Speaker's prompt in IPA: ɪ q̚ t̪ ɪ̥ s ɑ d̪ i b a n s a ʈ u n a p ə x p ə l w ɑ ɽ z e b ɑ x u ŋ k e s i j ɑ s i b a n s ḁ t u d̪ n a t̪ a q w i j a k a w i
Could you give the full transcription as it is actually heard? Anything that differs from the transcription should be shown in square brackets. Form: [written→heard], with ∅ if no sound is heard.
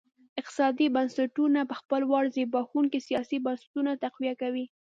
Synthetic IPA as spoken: ɪ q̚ t̪ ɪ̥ s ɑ d̪ i b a n s a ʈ u n a p ə x p ə l w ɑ ɽ z e b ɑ x u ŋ k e s i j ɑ s i b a n s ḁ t u [d̪→∅] n a t̪ a q w i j a k a w i